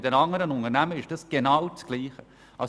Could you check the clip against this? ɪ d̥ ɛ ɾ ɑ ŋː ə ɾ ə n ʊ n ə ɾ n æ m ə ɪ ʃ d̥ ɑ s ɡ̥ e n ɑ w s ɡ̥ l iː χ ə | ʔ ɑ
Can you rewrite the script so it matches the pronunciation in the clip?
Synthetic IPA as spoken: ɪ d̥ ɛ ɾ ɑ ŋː ə ɾ ə n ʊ n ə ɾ n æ m ə ɪ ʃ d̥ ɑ s ɡ̥ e n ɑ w t͡s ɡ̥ l iː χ ə | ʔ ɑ